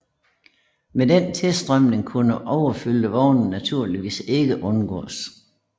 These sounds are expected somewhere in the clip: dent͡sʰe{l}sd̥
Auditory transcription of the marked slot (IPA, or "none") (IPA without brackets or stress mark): l